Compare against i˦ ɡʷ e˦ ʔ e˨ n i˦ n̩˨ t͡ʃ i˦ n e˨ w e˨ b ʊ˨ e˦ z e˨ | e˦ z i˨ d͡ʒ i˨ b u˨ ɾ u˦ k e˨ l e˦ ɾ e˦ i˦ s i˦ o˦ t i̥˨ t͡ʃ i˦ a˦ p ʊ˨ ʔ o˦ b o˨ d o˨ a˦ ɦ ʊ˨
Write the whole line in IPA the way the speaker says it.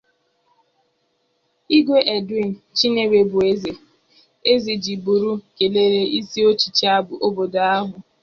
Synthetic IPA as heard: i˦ ɡʷ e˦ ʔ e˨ d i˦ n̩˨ t͡ʃ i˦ n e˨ w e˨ b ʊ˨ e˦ z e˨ | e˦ z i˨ d͡ʒ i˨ b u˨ ɾ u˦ k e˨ l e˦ ɾ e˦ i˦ s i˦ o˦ t͡ʃ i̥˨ t͡ʃ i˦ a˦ b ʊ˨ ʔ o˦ b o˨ d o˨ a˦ ɦ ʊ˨